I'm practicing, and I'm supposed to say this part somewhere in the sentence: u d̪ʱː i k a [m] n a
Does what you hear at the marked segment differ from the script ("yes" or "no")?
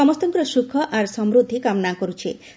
no